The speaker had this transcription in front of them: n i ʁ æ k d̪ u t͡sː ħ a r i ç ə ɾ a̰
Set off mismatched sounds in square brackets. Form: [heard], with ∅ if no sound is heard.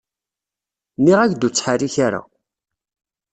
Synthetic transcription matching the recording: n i ʁ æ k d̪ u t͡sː ħ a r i ç [a] ɾ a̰